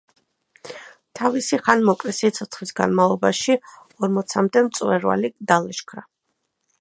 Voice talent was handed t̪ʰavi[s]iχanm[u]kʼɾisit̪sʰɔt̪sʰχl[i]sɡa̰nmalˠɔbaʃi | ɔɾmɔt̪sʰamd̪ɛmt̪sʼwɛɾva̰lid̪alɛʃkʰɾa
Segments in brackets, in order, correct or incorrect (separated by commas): correct, incorrect, correct